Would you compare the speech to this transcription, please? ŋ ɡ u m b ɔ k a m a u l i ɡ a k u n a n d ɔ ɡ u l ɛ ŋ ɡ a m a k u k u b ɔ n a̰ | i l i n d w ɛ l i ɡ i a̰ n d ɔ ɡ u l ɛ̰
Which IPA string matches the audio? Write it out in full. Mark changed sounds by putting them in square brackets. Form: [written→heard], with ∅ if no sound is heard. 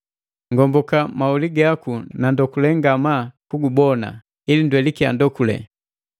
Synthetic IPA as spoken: ŋ ɡ [u→ɔ] m b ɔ k a m a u l i ɡ a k u n a n d ɔ [ɡ→k] u l ɛ ŋ ɡ a m a k u [k→ɡ] u b ɔ n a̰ | i l i n d w ɛ l i [ɡ→k] i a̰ n d ɔ [ɡ→k] u l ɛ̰